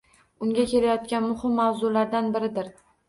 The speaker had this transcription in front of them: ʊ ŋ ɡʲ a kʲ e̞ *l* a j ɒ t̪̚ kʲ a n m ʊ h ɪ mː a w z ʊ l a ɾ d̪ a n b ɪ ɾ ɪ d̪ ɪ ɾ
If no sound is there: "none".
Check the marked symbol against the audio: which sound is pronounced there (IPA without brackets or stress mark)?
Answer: l